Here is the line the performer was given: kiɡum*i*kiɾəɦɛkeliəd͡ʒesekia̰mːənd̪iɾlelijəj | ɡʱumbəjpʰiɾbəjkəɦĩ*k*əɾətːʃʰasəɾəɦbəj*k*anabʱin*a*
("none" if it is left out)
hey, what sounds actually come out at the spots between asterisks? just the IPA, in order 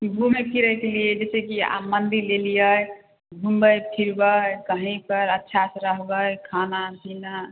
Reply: e, p, kʰ, a

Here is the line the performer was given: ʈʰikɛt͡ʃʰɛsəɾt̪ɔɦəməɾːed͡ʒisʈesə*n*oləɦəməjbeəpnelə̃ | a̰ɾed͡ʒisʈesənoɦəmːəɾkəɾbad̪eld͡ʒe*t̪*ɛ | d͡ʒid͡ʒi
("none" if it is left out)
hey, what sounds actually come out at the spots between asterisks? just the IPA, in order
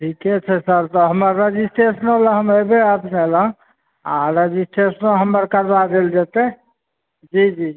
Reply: n, t̪

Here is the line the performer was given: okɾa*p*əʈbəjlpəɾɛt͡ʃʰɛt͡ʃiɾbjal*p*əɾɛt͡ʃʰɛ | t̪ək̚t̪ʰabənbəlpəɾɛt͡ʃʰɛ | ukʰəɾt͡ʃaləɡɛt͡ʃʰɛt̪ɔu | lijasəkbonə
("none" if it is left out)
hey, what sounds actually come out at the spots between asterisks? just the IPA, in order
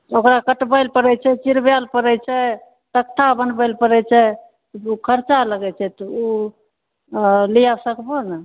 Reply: k, p

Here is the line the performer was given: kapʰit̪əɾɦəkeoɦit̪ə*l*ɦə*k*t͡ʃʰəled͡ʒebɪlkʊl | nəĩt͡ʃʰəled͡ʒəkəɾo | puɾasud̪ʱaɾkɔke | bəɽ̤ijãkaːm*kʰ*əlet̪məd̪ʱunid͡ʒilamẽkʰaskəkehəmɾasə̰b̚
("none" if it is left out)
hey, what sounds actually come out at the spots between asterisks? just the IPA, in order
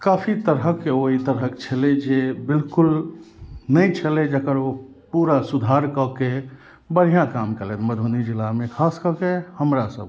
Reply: ɾ, k, k

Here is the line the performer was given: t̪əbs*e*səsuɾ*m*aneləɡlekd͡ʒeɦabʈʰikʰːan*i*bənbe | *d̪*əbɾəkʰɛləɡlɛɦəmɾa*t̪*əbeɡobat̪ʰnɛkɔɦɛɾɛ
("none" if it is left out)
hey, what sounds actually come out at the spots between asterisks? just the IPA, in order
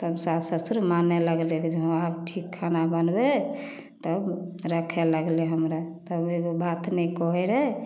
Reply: a, m, a, t̪, t̪

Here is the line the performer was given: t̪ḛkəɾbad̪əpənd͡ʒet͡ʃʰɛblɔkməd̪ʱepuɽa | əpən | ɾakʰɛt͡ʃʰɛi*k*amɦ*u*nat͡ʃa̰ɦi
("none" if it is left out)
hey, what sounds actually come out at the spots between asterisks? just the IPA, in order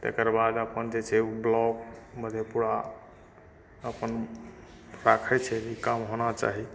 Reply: k, o

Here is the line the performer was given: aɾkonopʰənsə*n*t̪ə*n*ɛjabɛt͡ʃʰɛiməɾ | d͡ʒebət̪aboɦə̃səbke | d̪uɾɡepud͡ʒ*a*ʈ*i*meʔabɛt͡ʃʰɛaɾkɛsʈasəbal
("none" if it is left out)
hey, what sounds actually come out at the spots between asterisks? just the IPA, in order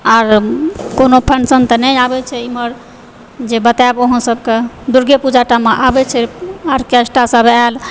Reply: n, n, a, a

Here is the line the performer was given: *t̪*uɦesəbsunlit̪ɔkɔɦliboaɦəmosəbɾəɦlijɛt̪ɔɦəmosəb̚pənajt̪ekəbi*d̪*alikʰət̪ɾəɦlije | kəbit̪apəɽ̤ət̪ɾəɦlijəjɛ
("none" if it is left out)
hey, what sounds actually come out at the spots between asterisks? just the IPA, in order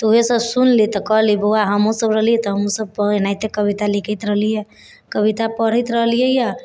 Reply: t̪, t̪

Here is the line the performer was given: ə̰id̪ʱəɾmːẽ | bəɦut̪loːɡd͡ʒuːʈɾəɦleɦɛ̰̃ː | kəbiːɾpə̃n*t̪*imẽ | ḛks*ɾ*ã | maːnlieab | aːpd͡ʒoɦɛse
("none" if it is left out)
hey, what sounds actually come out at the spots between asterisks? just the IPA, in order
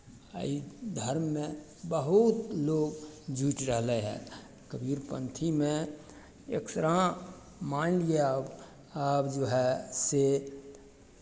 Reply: t̪ʰ, ɾ

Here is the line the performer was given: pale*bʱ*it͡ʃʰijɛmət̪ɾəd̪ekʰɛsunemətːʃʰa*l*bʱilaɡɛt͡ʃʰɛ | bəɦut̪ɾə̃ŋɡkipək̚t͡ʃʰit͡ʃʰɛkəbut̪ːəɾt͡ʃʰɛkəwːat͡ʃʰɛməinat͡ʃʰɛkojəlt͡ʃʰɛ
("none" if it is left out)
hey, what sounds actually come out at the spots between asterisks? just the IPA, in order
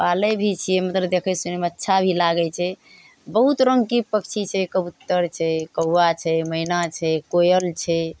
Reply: bʱ, none

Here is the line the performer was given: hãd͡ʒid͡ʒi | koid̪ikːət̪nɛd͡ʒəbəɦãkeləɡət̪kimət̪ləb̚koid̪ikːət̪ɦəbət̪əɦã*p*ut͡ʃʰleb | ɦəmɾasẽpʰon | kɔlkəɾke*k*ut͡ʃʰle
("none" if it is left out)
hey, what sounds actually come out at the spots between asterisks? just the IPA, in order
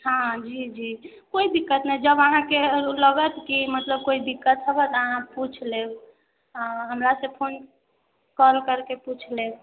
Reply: p, p

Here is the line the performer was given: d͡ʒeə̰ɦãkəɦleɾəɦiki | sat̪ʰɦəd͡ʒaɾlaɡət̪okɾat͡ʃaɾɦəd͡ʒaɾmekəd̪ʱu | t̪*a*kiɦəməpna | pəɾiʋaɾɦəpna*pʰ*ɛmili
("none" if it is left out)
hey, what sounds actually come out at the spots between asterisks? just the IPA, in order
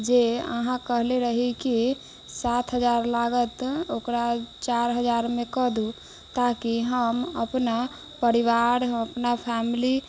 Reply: a, pʰ

